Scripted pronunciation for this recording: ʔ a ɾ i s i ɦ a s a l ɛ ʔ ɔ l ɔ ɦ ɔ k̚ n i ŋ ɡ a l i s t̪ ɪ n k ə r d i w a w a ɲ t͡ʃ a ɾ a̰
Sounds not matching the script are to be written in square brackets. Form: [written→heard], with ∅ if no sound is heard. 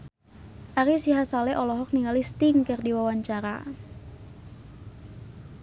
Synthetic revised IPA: ʔ a ɾ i s i ɦ a s a l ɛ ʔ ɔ l ɔ ɦ ɔ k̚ n i ŋ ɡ a l i s t̪ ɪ [n→ŋ] k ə r d i w a w a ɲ t͡ʃ a ɾ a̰